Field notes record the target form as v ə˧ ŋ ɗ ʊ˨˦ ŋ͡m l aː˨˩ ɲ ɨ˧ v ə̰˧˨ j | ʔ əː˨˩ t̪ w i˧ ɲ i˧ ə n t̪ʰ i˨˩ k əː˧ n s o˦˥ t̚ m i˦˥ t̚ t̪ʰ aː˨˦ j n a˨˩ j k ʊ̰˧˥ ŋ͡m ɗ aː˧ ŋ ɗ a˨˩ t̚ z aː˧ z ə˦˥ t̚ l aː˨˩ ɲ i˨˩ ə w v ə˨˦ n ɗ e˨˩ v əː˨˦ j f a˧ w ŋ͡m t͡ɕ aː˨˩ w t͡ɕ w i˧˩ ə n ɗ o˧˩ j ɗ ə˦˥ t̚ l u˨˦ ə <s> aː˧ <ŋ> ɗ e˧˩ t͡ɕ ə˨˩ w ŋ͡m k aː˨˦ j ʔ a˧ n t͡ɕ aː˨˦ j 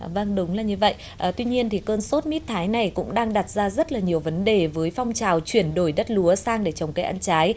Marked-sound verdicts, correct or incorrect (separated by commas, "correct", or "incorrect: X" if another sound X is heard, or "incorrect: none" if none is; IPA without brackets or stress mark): correct, correct